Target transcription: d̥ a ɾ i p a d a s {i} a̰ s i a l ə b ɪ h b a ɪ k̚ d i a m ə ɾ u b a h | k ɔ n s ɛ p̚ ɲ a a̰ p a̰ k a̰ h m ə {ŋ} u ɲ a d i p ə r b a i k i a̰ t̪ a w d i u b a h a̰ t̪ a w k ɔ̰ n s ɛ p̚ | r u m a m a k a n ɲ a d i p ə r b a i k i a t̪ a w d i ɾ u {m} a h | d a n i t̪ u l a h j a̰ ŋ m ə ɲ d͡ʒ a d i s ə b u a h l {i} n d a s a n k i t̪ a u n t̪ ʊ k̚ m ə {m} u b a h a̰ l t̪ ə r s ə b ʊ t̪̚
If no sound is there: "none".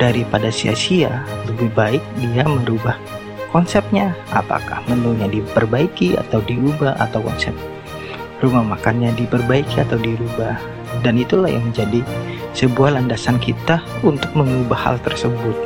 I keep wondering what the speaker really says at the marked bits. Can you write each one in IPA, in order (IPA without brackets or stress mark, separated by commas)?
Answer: i, n, b, a, ŋ